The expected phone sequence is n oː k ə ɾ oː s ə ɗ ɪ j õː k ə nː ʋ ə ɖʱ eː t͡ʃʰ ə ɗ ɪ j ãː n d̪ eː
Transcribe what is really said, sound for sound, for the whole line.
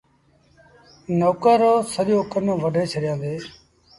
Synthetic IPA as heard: n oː k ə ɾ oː s ə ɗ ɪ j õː k ə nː ʋ ə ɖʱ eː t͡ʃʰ ə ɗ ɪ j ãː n d̪ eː

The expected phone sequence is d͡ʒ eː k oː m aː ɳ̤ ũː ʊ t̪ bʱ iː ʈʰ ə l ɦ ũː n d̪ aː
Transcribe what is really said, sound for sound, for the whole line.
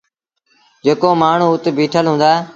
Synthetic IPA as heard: d͡ʒ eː k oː m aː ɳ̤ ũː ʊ t̪ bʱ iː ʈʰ ə l ɦ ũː n d̪ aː

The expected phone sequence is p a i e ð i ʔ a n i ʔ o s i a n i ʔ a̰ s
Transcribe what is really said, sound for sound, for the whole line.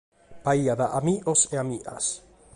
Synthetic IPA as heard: p a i a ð a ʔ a m i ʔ o s e a m i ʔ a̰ s

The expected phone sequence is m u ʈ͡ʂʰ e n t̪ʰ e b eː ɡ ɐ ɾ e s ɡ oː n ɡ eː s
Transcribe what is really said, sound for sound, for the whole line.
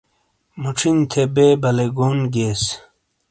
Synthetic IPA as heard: m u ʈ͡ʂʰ i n t̪ʰ e b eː b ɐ l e ɡ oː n ɡ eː s

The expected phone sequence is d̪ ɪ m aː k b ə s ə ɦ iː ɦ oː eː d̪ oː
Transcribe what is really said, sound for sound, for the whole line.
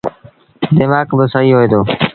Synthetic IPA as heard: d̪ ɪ m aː k b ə s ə ɦ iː ɦ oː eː d̪ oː

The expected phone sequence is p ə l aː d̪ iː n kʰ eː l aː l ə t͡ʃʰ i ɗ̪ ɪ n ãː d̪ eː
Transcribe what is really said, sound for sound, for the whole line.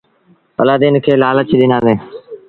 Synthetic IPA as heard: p ə l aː d̪ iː n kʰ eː l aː l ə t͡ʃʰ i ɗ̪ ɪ n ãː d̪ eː

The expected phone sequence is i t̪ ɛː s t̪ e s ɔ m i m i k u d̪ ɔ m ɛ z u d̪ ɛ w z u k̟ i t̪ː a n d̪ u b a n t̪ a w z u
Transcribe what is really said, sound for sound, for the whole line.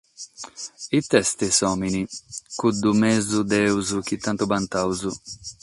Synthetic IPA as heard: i t̪ ɛ s t̪ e s ɔ m i n i k u d̪ u m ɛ z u d̪ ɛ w z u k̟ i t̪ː a n t̪ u b a n t̪ a w z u

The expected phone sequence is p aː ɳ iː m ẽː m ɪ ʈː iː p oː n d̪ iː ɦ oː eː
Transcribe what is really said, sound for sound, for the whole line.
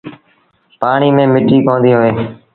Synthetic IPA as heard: p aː ɳ iː m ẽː m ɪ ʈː iː k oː n d̪ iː ɦ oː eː

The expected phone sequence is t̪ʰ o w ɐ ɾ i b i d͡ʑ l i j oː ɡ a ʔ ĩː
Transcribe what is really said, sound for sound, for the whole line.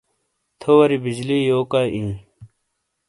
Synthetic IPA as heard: t̪ʰ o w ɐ ɾ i b i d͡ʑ l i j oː k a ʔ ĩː

